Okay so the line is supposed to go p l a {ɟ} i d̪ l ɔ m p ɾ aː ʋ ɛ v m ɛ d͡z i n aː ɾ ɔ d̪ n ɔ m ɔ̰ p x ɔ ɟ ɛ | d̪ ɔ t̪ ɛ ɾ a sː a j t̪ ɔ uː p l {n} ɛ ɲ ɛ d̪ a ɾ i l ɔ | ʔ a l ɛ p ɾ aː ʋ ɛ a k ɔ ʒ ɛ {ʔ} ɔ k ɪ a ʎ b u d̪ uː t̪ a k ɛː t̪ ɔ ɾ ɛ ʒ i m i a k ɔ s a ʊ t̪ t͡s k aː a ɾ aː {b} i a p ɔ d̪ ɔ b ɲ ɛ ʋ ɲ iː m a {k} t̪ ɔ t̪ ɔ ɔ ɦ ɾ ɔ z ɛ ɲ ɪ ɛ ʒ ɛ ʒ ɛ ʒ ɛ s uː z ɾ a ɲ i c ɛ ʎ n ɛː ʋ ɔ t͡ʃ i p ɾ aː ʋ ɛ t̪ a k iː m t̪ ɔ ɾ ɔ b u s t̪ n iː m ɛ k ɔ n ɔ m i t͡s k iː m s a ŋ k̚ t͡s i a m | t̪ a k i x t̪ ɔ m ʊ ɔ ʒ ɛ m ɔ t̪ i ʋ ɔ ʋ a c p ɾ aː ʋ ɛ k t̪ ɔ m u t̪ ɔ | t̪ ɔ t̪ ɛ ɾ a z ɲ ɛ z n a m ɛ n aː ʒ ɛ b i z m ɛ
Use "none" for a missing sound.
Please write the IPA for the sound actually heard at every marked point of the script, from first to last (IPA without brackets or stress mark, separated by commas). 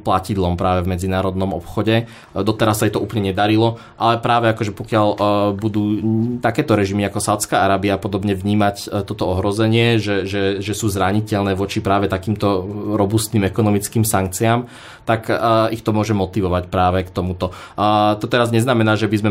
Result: c, ɲ, p, b, c